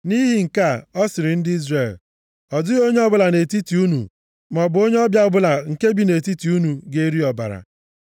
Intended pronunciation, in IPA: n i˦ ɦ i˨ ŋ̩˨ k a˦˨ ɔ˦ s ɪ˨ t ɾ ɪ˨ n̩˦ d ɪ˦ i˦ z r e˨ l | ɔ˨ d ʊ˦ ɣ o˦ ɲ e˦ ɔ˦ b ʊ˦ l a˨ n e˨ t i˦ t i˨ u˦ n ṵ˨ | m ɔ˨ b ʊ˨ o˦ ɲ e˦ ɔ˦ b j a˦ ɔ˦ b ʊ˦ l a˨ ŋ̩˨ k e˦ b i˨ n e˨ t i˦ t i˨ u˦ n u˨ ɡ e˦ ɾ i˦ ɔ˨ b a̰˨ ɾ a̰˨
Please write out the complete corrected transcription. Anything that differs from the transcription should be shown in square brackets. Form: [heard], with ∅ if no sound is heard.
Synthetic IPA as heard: n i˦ ɦ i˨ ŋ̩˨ k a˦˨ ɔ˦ s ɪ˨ [∅] ɾ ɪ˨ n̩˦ d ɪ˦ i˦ z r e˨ l | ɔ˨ d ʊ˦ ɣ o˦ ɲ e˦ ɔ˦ b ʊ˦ l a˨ n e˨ t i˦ t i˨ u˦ n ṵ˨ | m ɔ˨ b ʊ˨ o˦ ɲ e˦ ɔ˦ b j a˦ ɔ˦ b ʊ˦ l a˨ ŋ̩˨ k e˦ b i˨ n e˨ t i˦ t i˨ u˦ n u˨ ɡ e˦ ɾ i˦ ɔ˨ b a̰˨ ɾ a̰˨